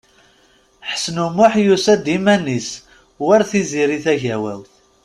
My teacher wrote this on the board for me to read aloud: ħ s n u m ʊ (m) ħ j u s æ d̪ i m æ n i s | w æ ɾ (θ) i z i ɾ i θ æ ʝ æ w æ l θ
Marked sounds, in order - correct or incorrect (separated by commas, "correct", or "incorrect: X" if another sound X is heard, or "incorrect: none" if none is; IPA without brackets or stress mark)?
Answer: incorrect: none, correct